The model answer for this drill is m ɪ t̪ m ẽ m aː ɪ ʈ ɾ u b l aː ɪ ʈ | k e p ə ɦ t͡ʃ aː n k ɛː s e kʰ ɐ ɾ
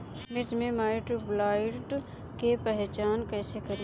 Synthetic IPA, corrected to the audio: m ɪ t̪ m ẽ m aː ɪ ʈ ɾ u b l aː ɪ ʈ | k e p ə ɦ t͡ʃ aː n k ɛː s e k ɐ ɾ